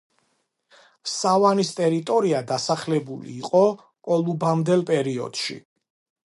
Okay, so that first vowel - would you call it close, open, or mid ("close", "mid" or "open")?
open